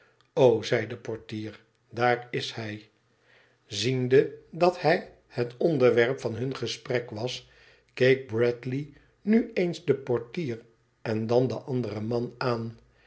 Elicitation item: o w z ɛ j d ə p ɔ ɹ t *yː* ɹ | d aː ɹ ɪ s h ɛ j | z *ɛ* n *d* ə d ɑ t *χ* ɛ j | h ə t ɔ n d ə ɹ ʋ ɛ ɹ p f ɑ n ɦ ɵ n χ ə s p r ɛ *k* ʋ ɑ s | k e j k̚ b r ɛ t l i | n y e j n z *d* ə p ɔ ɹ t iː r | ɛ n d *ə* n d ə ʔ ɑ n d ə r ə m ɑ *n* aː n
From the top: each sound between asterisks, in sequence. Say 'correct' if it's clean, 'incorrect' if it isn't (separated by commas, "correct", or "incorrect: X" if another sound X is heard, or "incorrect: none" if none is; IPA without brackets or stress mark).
incorrect: iː, incorrect: i, correct, incorrect: h, correct, correct, incorrect: ɑ, correct